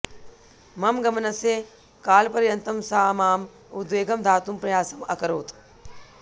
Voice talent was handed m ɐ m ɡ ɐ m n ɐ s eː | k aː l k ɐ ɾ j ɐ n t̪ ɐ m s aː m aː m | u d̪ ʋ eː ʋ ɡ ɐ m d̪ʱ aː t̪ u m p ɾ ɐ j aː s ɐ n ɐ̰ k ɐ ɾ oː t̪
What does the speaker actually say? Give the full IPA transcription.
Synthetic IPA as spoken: m ɐ m ɡ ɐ m n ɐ s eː | k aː l p ɐ ɾ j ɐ n t̪ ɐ m s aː m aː m | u d̪ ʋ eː ɡ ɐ m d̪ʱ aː t̪ u m p ɾ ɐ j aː s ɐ m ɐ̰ k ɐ ɾ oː t̪